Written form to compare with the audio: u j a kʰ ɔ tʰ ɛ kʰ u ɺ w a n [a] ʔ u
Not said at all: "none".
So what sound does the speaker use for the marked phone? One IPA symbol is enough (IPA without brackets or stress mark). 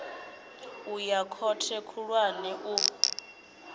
ɛ